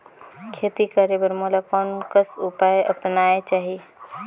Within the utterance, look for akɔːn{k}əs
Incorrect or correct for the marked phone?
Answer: correct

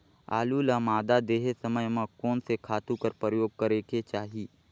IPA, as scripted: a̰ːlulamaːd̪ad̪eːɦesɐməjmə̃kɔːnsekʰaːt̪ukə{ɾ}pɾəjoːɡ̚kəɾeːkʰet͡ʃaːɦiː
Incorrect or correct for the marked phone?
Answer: correct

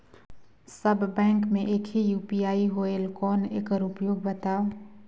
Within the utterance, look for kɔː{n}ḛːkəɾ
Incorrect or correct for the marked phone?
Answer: correct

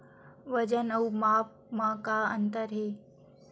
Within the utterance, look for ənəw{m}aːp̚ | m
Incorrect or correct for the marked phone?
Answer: correct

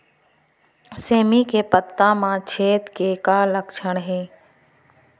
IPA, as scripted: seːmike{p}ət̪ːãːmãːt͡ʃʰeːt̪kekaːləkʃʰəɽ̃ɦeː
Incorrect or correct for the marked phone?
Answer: correct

